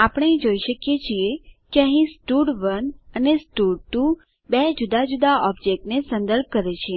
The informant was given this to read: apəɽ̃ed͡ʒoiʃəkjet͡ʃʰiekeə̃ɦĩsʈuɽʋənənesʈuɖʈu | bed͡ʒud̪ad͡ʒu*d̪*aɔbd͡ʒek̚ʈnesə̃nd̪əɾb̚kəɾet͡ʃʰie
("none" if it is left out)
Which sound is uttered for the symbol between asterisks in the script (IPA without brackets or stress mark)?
d̪